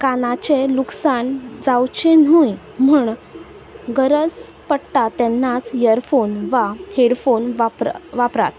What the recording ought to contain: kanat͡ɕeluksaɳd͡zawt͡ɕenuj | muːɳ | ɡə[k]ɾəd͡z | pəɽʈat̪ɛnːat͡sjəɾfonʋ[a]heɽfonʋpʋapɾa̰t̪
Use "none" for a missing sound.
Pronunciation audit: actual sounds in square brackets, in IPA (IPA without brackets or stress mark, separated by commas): none, a